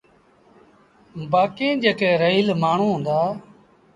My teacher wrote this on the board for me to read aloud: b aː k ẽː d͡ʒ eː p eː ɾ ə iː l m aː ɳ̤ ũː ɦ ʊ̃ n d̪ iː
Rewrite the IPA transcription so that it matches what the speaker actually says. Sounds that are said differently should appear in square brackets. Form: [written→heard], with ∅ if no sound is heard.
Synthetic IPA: b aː k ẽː d͡ʒ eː [p→k] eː ɾ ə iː l m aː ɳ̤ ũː ɦ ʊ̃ n d̪ [iː→aː]